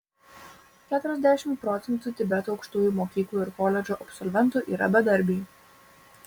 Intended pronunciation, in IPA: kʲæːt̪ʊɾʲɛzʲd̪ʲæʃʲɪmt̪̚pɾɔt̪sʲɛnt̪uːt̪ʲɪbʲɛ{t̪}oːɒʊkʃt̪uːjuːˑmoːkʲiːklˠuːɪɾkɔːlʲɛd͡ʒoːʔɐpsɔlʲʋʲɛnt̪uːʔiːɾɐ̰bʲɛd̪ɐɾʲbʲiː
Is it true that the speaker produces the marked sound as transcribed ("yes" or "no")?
yes